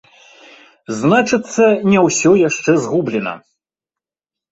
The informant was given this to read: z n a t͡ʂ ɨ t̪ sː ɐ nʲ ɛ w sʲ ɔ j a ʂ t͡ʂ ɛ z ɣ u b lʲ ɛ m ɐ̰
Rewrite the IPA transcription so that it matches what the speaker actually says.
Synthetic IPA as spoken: z n a t͡ʂ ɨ t̪ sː ɐ nʲ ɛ w sʲ ɔ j a ʂ t͡ʂ ɛ z ɣ u b lʲ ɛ n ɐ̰